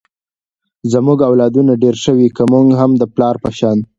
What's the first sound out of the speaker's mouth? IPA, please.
z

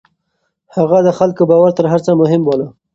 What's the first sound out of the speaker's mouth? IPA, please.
h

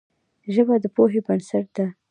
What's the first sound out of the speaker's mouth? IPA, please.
ʒ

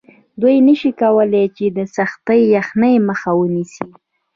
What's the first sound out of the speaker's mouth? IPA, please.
d̪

